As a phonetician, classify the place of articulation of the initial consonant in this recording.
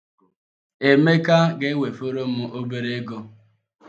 labial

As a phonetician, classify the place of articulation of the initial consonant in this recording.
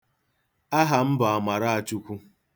glottal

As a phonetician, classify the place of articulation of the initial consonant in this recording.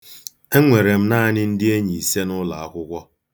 velar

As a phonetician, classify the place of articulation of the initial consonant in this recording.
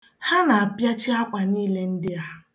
glottal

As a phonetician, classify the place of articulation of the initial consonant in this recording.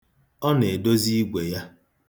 alveolar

